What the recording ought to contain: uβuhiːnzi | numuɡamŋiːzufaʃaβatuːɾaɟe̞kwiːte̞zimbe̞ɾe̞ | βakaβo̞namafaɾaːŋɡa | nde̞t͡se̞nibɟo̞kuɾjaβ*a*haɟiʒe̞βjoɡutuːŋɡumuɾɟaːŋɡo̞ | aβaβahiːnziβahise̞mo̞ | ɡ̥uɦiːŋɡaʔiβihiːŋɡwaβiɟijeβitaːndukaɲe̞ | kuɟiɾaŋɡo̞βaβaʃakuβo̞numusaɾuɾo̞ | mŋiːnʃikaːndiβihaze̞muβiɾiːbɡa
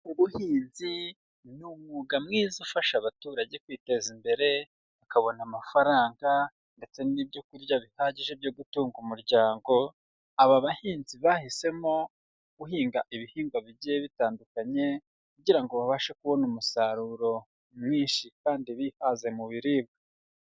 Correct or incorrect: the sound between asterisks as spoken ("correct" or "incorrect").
incorrect